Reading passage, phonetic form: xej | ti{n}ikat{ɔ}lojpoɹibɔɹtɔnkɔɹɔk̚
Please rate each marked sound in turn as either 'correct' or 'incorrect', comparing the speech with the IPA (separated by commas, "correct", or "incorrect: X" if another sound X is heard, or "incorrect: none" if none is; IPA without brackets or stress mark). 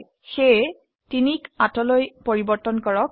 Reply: correct, correct